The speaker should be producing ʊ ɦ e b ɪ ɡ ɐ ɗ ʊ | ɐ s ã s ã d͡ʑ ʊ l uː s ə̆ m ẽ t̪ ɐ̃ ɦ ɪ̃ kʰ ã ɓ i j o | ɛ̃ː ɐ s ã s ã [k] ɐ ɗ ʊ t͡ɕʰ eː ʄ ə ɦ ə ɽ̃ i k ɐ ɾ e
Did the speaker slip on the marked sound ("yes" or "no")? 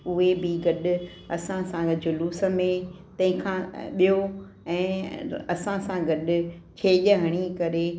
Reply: yes